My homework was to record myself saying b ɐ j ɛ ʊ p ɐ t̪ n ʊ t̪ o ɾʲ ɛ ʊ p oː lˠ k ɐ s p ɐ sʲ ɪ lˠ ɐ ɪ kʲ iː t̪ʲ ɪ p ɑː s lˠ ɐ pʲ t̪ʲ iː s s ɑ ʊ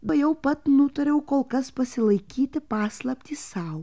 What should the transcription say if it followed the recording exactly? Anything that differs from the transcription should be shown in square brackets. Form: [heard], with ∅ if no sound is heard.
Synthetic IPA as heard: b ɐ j ɛ ʊ p ɐ t̪ n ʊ t̪ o ɾʲ ɛ ʊ [k] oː lˠ k ɐ s p ɐ sʲ ɪ lˠ ɐ ɪ kʲ iː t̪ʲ ɪ p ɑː s lˠ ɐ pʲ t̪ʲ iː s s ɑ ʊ